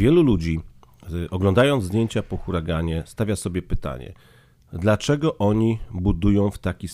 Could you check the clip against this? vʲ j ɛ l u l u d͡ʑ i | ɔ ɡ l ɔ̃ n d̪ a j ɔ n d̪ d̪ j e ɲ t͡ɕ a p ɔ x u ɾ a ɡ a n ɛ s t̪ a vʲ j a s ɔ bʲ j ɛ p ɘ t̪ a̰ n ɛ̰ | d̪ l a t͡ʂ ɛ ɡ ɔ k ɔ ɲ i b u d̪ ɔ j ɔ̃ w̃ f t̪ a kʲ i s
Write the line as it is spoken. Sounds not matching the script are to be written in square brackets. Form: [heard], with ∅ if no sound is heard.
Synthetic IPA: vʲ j ɛ l u l u d͡ʑ i | ɔ ɡ l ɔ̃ n d̪ a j ɔ n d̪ d̪ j e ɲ t͡ɕ a p ɔ x u ɾ a ɡ a [ɲ] ɛ s t̪ a vʲ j a s ɔ bʲ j ɛ p ɘ t̪ a̰ [ɲ] ɛ̰ | d̪ l a t͡ʂ ɛ ɡ ɔ [ʔ] ɔ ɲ i b u d̪ [u] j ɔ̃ w̃ f t̪ a kʲ i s